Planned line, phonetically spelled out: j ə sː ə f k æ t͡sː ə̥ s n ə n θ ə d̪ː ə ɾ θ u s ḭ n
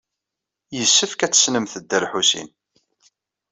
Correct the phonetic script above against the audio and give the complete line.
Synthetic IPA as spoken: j ə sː ə f k æ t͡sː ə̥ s n ə m θ ə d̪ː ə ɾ ħ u s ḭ n